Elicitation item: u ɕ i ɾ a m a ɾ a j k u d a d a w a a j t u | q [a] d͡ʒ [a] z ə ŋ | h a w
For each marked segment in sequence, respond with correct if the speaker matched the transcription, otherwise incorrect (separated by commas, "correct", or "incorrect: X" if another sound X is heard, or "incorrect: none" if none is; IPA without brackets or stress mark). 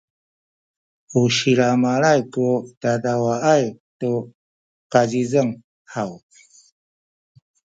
correct, incorrect: i